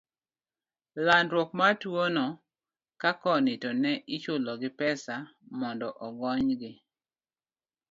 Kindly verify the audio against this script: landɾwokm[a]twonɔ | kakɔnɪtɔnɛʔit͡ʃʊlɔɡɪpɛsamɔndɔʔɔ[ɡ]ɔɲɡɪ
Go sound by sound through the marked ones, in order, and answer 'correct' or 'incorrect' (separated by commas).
correct, correct